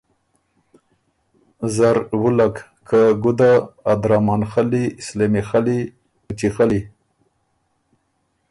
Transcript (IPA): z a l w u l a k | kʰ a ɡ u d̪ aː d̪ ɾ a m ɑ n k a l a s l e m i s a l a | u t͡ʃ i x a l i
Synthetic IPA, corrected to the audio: z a ɾ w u l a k | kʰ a ɡ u d̪ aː d̪ ɾ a m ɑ n x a l i s l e m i x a l i | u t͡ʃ i x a l i